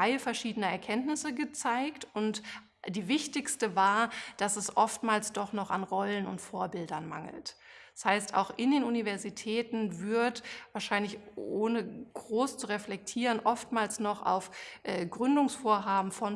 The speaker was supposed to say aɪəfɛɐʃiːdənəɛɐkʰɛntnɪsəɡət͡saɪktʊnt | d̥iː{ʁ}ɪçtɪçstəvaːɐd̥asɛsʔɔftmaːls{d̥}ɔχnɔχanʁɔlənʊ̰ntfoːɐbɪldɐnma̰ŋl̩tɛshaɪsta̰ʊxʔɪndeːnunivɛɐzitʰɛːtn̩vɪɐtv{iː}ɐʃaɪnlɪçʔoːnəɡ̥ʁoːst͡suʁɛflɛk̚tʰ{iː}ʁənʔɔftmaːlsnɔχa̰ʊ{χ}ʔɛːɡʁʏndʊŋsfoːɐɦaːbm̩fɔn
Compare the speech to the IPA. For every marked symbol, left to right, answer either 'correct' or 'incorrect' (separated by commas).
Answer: incorrect, correct, incorrect, correct, incorrect